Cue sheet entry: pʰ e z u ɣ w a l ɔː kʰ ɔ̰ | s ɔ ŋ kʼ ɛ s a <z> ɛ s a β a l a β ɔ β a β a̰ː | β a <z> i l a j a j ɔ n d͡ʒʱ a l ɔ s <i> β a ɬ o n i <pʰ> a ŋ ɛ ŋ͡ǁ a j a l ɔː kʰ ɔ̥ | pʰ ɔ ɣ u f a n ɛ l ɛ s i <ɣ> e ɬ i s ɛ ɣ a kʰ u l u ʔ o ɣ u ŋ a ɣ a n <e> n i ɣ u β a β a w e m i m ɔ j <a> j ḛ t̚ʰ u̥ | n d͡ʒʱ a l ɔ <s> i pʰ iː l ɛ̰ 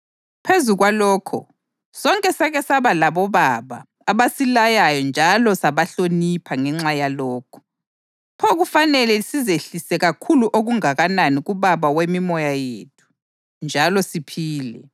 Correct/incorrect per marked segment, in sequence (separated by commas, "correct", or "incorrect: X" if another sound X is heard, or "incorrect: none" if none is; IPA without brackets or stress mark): incorrect: ɣ, incorrect: s, incorrect: a, correct, incorrect: z, incorrect: a, correct, correct